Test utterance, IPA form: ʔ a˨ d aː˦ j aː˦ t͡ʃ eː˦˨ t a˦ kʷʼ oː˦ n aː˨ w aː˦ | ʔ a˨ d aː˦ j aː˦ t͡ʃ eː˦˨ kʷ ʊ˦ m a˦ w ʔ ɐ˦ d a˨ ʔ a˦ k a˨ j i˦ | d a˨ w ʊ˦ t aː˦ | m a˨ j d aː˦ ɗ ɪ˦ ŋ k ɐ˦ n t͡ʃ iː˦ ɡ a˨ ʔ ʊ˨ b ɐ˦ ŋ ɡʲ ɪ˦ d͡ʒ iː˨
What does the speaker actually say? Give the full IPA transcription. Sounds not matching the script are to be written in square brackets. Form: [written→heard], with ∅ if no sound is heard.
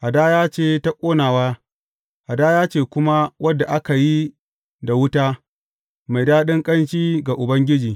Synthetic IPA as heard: ʔ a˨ d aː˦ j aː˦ t͡ʃ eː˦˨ t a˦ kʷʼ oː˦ n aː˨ w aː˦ | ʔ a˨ d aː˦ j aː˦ t͡ʃ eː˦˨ kʷ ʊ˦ m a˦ w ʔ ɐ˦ d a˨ ʔ a˦ k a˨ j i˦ | d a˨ w ʊ˦ t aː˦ | m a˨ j d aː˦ ɗ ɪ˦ ŋ [k→kʼ] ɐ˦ n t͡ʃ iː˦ ɡ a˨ ʔ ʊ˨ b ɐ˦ ŋ ɡʲ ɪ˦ d͡ʒ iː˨